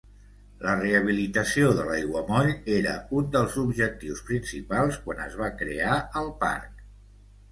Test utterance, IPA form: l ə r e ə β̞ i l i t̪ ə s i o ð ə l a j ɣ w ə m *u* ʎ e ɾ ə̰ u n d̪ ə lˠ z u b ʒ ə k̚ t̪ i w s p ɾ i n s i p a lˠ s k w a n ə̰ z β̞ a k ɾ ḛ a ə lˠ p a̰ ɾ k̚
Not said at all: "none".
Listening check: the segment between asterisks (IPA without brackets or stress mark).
ɔ